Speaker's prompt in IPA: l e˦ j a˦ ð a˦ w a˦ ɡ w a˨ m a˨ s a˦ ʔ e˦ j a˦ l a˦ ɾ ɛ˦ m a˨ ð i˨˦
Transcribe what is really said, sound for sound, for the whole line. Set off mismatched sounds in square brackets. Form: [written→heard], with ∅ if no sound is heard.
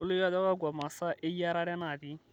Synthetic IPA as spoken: l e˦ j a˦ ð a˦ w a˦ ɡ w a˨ m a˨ s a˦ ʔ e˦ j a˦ [l→ɾ] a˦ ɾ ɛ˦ [m→n] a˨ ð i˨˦